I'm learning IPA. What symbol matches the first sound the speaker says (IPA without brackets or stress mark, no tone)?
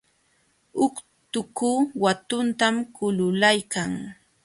ʊ